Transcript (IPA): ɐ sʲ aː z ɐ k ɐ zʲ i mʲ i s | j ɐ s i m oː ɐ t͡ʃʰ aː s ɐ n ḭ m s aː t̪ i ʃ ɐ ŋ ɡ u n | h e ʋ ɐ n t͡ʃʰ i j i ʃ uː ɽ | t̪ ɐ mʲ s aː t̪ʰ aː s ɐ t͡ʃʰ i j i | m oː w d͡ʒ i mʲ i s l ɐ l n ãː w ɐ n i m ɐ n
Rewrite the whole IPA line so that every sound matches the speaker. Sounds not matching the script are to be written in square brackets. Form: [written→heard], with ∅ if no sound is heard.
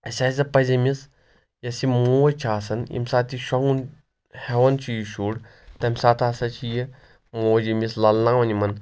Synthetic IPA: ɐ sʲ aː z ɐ [k→p] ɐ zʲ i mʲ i s | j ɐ s i m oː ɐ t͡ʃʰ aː s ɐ n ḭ m s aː t̪ i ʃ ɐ ŋ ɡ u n | h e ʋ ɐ n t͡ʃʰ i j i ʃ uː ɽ | t̪ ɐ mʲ s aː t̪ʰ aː s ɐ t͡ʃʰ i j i | m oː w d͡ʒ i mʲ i s l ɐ l n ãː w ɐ n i m ɐ n

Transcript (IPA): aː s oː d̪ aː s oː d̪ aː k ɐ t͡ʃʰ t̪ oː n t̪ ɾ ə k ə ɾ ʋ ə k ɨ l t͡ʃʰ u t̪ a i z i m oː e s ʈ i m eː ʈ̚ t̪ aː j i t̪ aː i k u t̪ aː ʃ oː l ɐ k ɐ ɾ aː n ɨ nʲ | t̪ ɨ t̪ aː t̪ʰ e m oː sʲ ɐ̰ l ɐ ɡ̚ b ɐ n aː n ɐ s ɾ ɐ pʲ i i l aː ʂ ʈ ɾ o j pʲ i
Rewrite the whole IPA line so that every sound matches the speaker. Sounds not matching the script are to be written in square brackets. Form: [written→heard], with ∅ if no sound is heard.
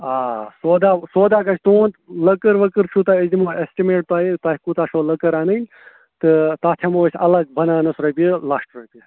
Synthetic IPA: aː s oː d̪ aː s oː d̪ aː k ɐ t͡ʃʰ t̪ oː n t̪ [ɾ→l] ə k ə ɾ ʋ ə k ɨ [l→ɾ] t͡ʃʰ u t̪ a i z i m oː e s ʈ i m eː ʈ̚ t̪ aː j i t̪ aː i k u t̪ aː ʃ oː l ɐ k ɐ ɾ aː n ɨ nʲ | t̪ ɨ t̪ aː t̪ʰ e m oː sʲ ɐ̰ l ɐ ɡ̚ b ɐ n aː n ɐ s ɾ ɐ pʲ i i l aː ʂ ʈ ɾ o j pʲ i

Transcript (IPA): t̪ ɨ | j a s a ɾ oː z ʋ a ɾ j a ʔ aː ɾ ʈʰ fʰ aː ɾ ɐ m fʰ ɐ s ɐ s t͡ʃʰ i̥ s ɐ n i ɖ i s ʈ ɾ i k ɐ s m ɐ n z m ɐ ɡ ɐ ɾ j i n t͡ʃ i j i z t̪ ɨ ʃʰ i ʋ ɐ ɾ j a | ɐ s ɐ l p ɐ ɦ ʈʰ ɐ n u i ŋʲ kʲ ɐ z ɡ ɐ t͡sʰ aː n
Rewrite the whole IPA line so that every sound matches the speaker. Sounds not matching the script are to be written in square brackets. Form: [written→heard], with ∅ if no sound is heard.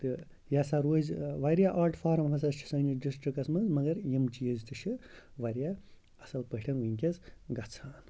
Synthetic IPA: t̪ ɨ | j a s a ɾ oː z ʋ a ɾ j a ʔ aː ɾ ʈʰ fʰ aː ɾ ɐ m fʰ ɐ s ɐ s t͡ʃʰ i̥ s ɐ n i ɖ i s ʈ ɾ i k ɐ s m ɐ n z m ɐ ɡ ɐ ɾ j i [n→m] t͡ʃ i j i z t̪ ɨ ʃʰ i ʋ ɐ ɾ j a | ɐ s ɐ l p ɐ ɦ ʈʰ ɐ n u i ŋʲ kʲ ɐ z ɡ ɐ t͡sʰ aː n

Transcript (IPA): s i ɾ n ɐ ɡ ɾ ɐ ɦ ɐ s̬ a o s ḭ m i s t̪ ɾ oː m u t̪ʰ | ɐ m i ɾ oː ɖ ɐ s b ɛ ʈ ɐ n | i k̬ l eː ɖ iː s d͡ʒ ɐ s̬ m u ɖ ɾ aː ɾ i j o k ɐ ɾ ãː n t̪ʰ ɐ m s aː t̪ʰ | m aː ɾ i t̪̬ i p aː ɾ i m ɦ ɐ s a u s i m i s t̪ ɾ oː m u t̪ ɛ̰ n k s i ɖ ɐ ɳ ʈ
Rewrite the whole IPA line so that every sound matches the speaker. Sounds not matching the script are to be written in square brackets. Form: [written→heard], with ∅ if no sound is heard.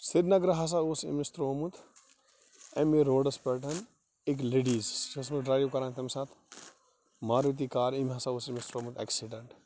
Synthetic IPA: s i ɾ n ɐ ɡ ɾ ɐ ɦ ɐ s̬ a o s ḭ m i s t̪ ɾ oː m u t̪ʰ | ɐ m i ɾ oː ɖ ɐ s [b→p] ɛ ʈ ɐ n | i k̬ l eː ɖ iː [s→z] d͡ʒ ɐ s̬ m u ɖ ɾ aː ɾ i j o k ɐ ɾ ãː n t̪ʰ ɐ m s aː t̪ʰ | m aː ɾ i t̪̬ i [p→k] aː ɾ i m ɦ ɐ s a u s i m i s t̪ ɾ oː m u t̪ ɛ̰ [n→∅] k s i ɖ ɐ ɳ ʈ

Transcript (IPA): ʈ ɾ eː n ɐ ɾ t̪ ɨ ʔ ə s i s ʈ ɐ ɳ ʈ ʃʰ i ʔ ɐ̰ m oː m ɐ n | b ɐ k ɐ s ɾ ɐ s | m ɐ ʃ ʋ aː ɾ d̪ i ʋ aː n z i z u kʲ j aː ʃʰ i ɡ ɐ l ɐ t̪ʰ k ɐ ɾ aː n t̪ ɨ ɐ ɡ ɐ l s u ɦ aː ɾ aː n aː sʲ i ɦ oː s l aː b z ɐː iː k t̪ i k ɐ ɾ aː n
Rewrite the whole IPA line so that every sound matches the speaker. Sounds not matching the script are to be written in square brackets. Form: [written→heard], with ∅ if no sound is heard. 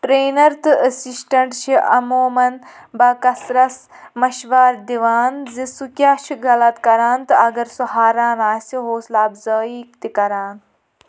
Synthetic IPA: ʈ ɾ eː n ɐ ɾ t̪ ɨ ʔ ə s i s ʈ ɐ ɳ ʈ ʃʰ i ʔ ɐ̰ m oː m ɐ n | b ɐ k ɐ s ɾ ɐ s | m ɐ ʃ ʋ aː ɾ d̪ i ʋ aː n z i [z→s] u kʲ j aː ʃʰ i ɡ ɐ l ɐ [t̪ʰ→t̪] k ɐ ɾ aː n t̪ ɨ ɐ ɡ ɐ [l→ɾ] s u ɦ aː ɾ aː n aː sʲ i ɦ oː s l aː b z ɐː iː k t̪ i k ɐ ɾ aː n

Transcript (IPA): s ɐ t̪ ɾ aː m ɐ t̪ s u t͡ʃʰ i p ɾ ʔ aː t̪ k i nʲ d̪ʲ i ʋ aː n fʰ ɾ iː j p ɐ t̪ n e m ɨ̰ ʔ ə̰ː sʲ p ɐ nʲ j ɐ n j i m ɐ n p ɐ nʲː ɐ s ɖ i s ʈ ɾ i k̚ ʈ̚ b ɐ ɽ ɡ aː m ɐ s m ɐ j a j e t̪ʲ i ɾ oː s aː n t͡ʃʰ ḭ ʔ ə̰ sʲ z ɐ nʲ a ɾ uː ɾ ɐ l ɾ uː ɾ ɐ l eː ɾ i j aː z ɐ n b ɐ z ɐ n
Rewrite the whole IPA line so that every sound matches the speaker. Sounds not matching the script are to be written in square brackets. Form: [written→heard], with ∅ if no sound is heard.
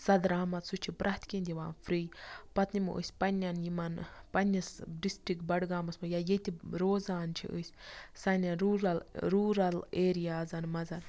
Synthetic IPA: s ɐ [t̪→d̪] ɾ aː m ɐ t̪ s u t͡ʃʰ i p ɾ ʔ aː t̪ k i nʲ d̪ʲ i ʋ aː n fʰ ɾ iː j p ɐ t̪ n [e→i] m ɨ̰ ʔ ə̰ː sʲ p ɐ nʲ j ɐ n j i m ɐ n p ɐ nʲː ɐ s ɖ i s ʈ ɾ i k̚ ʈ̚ b ɐ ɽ ɡ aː m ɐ s m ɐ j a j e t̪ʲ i ɾ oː [s→z] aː n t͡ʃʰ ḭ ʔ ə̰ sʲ [z→s] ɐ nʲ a ɾ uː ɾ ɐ l ɾ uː ɾ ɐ l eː ɾ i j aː z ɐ n [b→m] ɐ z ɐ n

